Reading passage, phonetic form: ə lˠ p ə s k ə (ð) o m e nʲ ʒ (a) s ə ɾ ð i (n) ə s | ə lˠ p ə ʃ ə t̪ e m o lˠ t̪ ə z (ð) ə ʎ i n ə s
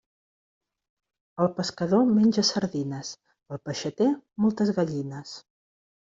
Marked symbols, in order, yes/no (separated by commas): yes, no, yes, no